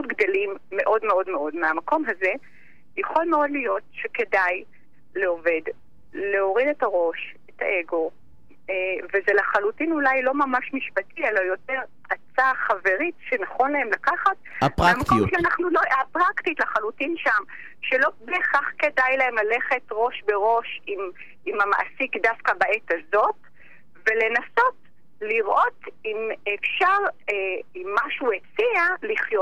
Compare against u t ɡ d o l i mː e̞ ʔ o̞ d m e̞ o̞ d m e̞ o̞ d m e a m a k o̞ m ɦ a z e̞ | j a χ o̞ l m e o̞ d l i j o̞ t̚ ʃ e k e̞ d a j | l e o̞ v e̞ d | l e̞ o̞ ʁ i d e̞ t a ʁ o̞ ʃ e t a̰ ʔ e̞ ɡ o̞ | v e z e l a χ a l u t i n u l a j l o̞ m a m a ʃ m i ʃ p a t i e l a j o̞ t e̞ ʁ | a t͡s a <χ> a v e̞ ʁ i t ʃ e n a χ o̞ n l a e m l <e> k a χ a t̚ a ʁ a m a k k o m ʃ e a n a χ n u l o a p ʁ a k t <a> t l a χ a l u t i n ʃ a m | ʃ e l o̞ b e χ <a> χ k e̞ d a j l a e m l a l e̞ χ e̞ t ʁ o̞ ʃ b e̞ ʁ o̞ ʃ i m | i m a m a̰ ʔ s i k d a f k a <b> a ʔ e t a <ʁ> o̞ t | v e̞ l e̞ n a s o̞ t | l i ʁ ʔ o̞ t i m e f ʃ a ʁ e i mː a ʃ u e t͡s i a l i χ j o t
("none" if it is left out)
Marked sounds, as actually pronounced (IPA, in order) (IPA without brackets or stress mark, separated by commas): χ, a, i, a, b, z